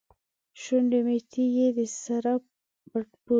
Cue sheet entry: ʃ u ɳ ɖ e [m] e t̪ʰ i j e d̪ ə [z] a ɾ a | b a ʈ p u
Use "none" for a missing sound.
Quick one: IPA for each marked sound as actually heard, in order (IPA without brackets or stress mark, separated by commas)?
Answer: m, s